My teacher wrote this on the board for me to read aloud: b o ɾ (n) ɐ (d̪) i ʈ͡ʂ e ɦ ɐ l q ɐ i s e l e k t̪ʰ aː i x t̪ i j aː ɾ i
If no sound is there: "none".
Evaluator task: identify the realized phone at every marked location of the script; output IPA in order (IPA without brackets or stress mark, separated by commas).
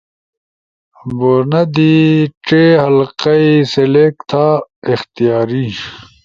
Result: n, d̪